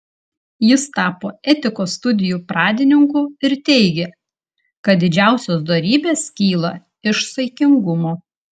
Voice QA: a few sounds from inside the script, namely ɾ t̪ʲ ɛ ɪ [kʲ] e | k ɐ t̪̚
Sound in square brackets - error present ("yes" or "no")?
yes